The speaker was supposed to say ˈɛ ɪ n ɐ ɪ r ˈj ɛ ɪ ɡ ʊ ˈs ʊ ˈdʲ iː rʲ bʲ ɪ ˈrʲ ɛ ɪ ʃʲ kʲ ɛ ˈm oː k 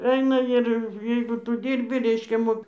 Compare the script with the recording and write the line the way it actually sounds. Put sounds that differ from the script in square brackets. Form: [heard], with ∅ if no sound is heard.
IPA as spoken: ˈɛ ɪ n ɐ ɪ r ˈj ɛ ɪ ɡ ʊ [ˈt] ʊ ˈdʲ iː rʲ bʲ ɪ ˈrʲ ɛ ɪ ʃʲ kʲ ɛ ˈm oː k